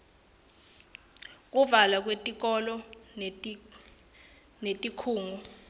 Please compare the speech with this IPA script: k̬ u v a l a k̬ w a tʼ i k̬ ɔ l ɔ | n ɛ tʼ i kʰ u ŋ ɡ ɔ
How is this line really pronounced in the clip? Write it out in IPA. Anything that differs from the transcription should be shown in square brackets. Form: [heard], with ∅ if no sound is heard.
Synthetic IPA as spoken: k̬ u v a l a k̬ w [e] tʼ i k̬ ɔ l ɔ | n [e] tʼ i kʰ [uː] ŋ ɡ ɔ